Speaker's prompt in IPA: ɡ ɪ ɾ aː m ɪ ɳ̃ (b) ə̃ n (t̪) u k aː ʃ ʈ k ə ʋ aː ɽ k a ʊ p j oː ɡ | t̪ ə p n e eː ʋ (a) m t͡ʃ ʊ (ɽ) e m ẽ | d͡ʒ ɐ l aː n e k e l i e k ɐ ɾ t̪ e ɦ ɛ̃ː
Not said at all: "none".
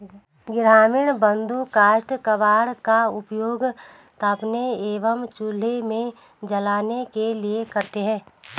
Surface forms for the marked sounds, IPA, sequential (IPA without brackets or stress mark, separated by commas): b, d̪, ə, l